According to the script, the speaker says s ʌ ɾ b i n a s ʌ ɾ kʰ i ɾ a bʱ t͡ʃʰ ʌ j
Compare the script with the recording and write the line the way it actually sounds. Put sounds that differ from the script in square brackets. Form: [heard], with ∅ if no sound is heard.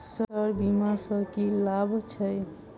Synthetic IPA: s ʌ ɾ b i [m] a s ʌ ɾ [k] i [l] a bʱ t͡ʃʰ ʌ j